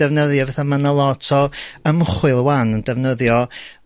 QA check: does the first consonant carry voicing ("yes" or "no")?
yes